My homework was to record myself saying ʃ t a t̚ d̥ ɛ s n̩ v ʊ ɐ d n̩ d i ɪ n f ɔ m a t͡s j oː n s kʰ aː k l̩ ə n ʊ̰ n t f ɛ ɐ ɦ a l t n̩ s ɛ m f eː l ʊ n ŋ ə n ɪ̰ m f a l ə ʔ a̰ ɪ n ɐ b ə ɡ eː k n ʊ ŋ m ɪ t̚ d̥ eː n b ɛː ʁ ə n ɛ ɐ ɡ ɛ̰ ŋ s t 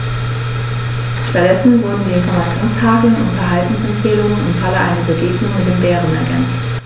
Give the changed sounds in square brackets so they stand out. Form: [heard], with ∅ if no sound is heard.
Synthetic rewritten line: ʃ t a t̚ d̥ ɛ s n̩ v ʊ ɐ d n̩ d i ɪ n f ɔ m a t͡s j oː n s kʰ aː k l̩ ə n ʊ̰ n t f ɛ ɐ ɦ a l t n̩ s ɛ m f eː l ʊ [∅] ŋ ə n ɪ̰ m f a l ə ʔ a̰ ɪ n ɐ b ə ɡ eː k n ʊ ŋ m ɪ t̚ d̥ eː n b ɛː ʁ ə n ɛ ɐ ɡ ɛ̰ [n] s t